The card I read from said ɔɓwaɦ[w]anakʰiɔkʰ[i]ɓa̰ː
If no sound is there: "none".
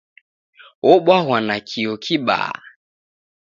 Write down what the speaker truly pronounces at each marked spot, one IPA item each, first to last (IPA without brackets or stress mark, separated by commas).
w, i